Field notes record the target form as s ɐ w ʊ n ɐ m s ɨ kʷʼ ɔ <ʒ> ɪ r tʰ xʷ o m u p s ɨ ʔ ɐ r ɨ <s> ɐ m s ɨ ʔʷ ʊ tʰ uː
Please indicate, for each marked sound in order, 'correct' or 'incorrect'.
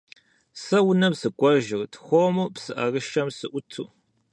correct, incorrect: ʃ

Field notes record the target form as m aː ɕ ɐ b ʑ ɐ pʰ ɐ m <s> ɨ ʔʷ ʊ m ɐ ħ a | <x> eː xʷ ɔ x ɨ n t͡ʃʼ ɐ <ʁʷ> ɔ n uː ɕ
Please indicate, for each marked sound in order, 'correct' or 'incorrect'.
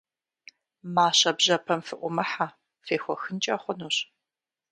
incorrect: f, incorrect: f, incorrect: χʷ

